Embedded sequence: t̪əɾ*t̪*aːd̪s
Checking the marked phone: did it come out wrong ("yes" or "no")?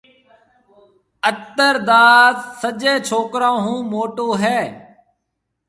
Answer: yes